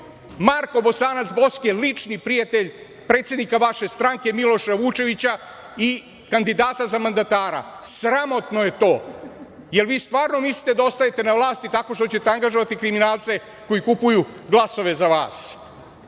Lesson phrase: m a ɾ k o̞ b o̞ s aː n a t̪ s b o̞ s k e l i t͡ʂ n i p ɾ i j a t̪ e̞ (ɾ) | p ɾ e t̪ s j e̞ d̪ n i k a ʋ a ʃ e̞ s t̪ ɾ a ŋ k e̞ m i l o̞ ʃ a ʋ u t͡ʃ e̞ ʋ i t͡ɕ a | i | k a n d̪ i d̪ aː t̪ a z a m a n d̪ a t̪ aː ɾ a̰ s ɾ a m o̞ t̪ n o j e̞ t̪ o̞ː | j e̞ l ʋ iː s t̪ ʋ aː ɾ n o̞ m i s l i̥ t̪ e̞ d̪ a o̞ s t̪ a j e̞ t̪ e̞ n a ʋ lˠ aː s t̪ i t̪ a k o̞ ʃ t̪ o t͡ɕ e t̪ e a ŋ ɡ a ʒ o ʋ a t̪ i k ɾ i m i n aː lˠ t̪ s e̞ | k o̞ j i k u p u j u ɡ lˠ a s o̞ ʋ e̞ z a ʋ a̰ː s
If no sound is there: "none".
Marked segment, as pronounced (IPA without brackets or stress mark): ʎ